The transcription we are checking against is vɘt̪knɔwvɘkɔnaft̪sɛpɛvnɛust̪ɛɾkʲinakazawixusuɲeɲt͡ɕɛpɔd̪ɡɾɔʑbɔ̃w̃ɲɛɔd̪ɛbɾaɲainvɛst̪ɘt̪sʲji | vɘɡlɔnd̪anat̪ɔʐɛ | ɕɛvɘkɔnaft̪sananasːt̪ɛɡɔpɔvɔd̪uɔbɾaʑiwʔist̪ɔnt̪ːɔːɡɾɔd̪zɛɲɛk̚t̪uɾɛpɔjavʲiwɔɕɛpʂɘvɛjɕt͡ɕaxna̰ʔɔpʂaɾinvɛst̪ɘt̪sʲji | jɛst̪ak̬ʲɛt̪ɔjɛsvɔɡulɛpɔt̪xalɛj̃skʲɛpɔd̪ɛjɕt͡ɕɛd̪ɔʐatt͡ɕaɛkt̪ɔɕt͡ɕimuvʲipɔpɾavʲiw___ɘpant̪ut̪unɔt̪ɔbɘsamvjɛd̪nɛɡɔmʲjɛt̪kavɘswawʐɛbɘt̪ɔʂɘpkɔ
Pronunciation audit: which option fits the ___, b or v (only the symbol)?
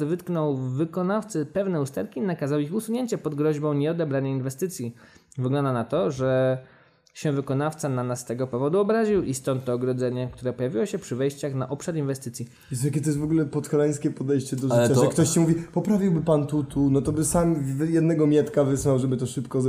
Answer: b